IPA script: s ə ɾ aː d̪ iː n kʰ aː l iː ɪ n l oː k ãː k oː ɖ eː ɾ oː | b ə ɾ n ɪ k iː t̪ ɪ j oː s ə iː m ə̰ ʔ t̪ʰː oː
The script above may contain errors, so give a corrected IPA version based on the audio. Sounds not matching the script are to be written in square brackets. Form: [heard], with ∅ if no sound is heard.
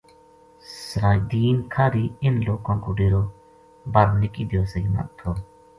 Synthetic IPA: s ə ɾ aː d̪ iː n kʰ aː [ɾ] iː ɪ n l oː k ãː k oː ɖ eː ɾ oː | b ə ɾ n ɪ k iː [d̪] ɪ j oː s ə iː m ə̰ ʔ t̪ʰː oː